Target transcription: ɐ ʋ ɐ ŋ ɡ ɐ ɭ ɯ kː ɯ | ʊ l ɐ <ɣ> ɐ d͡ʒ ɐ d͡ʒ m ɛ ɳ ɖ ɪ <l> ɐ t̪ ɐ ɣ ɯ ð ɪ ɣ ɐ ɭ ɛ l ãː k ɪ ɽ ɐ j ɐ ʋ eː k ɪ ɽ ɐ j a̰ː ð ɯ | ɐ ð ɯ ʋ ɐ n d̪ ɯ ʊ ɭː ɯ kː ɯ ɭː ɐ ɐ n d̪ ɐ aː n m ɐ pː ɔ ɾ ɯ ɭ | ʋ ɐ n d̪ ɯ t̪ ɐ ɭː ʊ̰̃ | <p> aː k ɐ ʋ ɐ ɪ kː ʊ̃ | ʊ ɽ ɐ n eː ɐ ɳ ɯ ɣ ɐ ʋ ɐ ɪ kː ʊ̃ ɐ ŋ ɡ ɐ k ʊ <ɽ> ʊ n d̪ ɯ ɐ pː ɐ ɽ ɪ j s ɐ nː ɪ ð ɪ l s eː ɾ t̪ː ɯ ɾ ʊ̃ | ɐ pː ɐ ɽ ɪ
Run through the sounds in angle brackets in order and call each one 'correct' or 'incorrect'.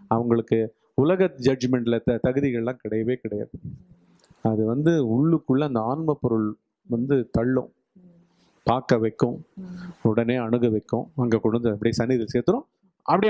correct, correct, correct, correct

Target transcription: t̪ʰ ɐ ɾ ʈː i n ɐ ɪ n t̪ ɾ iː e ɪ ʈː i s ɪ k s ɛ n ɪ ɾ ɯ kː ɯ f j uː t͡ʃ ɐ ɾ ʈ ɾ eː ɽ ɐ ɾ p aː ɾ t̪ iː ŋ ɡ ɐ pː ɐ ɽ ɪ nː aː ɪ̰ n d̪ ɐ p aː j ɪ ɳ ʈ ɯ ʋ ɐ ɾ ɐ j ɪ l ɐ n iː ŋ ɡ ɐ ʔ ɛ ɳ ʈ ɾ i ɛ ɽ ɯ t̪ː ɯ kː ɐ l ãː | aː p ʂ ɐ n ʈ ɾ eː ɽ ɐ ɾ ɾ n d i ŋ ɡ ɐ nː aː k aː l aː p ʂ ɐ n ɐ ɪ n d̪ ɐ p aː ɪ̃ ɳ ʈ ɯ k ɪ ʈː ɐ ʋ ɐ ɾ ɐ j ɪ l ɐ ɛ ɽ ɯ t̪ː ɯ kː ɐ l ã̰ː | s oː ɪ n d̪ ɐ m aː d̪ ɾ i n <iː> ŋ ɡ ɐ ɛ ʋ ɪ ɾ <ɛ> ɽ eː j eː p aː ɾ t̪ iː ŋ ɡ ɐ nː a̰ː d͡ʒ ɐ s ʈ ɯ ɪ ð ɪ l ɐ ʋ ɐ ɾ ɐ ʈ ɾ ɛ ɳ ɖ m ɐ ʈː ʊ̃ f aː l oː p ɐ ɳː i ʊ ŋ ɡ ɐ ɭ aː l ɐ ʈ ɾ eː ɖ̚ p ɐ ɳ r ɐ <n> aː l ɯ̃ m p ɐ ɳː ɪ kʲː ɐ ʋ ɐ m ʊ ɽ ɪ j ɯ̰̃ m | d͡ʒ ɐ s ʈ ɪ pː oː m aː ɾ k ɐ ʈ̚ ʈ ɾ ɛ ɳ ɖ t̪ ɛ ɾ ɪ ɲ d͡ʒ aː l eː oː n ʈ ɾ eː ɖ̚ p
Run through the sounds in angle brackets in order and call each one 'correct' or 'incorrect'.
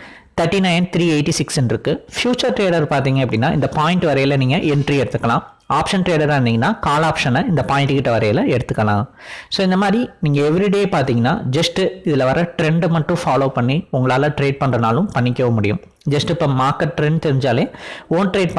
correct, incorrect, correct

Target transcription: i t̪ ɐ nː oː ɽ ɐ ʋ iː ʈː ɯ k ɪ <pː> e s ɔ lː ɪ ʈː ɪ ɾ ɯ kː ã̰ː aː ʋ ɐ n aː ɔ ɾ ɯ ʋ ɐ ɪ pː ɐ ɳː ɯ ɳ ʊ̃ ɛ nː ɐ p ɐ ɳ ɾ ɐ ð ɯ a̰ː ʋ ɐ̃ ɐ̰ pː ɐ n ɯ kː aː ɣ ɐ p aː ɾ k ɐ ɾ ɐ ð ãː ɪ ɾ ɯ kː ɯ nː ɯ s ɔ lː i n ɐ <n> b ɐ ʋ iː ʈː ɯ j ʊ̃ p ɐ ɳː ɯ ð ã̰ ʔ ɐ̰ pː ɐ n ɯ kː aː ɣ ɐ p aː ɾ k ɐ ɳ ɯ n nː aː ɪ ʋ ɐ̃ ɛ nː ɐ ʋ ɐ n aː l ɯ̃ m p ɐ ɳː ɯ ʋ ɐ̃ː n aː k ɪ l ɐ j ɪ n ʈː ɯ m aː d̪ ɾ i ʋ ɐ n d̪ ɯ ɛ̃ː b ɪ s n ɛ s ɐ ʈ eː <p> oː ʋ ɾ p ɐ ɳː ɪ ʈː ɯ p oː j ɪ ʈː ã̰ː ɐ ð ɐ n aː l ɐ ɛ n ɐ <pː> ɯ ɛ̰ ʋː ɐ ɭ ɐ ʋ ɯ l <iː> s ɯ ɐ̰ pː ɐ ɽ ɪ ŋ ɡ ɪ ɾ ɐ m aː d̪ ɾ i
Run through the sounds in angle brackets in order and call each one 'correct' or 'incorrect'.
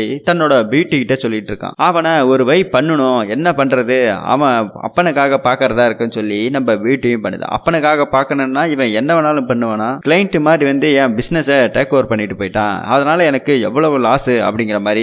incorrect, incorrect, incorrect, incorrect, incorrect

